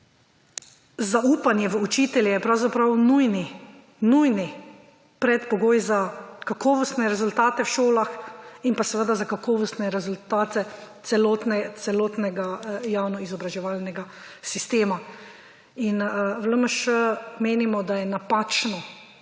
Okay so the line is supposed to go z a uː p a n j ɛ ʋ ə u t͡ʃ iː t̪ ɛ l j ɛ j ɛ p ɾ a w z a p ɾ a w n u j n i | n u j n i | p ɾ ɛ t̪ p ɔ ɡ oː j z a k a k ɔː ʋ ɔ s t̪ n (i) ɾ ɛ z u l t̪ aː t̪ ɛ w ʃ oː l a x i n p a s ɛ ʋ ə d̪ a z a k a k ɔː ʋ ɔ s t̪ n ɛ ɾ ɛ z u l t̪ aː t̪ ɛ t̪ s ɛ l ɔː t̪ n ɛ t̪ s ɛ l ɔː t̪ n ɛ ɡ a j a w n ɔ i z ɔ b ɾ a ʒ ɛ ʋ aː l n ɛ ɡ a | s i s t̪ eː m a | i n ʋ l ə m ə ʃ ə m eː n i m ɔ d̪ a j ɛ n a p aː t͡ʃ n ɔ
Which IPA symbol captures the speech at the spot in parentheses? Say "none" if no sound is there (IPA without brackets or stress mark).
ɛ